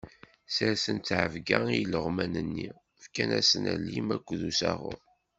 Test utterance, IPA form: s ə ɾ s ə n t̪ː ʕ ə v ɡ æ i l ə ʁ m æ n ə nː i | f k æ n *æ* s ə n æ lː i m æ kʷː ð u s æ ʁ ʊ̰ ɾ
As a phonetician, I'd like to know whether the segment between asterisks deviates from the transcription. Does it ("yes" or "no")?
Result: no